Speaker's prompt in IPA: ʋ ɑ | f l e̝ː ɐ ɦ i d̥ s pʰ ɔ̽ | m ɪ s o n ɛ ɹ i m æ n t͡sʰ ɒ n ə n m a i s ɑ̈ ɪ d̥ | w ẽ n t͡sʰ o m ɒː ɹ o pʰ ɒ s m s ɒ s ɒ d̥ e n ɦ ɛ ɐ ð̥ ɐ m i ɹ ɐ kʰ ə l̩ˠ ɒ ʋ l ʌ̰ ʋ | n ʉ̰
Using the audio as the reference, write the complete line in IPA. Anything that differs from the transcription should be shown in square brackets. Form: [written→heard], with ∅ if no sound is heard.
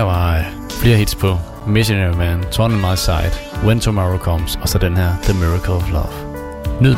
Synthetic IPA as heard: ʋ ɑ | f l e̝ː ɐ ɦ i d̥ s pʰ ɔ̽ | m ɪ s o n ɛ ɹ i m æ n t͡sʰ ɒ n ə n m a [i→ɪ] s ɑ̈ ɪ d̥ | w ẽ n t͡sʰ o m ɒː ɹ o [pʰ→kʰ] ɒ [s→∅] m s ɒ s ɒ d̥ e n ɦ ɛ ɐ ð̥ [ɐ→ə] m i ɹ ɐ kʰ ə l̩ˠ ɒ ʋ l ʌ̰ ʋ | n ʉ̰